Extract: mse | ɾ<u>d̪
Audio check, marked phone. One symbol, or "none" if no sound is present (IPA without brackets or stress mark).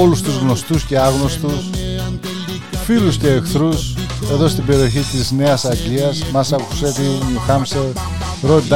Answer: o